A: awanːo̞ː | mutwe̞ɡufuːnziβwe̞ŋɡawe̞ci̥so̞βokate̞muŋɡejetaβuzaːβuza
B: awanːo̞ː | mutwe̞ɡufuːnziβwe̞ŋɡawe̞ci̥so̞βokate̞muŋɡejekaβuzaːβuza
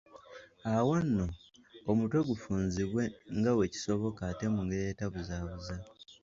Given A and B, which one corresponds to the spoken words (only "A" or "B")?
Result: A